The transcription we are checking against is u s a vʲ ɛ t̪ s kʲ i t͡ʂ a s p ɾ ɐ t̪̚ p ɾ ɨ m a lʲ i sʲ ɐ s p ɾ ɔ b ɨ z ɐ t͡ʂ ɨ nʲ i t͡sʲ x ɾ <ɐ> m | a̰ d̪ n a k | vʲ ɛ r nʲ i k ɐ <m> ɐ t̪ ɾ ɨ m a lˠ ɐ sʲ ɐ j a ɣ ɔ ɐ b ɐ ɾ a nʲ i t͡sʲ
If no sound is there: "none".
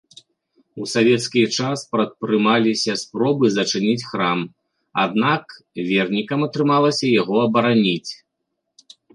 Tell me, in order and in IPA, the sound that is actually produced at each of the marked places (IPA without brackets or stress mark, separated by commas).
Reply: a, m